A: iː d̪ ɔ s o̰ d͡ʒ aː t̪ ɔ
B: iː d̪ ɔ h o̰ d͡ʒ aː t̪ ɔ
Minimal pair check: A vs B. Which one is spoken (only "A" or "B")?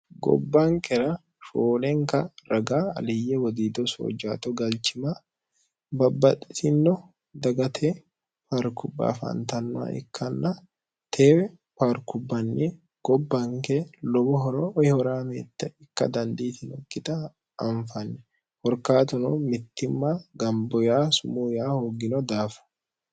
A